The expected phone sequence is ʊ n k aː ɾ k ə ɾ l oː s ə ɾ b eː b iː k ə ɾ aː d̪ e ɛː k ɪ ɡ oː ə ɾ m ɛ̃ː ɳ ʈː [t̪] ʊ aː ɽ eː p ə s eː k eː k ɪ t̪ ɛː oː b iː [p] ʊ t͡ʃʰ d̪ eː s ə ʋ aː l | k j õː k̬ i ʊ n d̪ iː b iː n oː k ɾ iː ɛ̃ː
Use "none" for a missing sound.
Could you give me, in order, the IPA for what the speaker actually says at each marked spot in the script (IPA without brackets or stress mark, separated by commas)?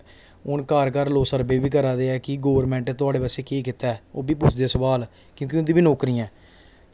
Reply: t̪, p